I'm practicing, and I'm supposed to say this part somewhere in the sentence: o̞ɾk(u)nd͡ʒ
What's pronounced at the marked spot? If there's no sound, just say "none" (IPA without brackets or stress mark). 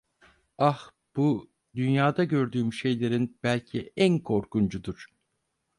u